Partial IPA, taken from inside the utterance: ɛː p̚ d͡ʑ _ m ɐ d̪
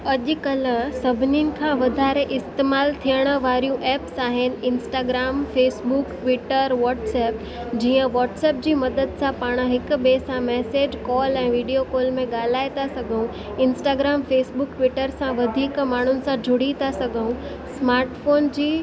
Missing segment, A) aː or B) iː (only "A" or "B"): B